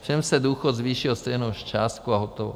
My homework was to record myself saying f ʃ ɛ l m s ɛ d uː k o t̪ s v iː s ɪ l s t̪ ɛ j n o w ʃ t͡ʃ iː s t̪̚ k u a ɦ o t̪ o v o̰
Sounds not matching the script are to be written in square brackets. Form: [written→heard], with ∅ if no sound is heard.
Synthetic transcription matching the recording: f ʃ ɛ [l→∅] m s ɛ d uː [k→x] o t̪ [s→z] v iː [s→ʃ] ɪ l s t̪ ɛ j n o w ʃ t͡ʃ [iː→aː] s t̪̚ k u a ɦ o t̪ o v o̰